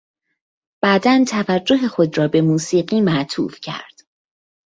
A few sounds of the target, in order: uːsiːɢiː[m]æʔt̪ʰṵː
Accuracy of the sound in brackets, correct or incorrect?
correct